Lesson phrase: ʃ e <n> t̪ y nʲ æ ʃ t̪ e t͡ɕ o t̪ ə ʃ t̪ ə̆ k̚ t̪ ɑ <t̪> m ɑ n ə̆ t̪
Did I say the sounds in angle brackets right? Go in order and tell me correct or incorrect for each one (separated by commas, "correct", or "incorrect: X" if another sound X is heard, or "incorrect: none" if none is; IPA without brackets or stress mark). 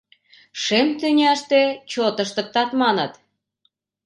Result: incorrect: m, correct